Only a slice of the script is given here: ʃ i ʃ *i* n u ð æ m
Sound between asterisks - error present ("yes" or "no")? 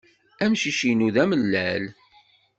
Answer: no